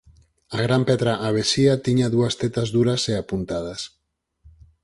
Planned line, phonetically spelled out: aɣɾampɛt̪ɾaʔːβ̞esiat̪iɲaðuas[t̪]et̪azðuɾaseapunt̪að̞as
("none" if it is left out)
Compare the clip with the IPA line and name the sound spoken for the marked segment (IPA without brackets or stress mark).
t̪